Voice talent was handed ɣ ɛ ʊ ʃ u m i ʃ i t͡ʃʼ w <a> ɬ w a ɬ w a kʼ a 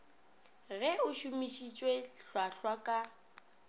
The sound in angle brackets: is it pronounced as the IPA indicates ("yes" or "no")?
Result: no